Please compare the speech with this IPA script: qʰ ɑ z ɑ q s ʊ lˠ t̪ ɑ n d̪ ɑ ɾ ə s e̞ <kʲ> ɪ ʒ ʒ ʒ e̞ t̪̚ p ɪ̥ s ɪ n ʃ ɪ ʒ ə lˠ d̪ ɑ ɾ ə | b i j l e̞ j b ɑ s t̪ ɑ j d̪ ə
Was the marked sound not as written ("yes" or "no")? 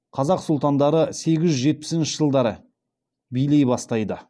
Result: yes